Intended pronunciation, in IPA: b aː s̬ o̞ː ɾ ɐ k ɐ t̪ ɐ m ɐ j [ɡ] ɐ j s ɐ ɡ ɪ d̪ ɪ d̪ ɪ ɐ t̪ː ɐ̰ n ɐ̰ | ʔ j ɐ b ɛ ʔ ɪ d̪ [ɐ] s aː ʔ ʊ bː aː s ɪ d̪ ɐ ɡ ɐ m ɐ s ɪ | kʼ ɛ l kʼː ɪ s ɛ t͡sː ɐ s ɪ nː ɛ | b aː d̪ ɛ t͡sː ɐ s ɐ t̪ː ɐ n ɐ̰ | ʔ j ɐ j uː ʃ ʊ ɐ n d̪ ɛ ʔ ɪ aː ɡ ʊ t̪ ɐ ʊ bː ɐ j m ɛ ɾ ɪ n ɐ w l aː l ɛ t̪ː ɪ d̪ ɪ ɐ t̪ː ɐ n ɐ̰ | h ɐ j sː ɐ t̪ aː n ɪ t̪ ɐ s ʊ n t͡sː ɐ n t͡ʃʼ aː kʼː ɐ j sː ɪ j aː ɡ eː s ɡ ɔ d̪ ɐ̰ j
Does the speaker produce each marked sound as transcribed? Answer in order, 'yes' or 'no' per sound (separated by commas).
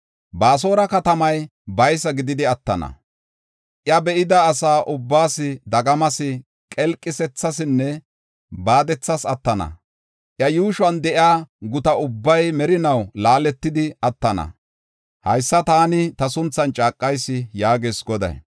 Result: no, no